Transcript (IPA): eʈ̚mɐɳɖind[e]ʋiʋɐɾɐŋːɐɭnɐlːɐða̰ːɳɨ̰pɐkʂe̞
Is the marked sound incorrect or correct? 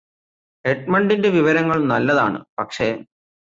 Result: correct